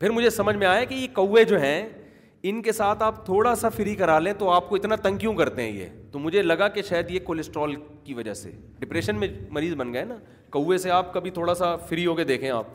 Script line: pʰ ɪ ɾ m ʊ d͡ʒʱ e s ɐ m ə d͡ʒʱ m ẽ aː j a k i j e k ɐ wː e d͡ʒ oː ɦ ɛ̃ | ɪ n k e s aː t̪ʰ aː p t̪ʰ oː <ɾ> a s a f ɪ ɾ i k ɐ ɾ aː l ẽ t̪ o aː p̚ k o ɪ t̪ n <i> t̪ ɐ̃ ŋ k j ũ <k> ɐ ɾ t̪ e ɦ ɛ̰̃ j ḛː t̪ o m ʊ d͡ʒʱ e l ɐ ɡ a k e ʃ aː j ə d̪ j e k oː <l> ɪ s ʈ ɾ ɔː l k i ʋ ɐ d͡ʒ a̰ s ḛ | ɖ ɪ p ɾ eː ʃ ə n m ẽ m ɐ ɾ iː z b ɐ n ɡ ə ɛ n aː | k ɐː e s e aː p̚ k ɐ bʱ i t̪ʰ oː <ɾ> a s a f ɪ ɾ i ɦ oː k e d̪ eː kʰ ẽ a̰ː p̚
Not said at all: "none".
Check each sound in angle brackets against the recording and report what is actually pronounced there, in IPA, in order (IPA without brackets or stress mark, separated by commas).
ɽ, a, k, l, ɽ